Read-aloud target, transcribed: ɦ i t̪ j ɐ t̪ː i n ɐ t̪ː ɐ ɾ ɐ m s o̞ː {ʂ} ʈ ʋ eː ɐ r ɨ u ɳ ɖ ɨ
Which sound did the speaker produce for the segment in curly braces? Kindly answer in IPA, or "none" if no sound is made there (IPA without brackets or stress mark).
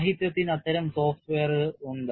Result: f